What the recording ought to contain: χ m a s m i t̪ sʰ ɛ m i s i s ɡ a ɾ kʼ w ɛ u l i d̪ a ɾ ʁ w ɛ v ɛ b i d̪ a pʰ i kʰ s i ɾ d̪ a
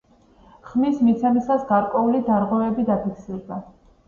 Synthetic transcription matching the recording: χ m i s m i t̪ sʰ ɛ m i s a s ɡ a ɾ kʼ w ɛ u l i d̪ a ɾ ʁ w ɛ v ɛ b i d̪ a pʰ i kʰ s i ɾ d̪ a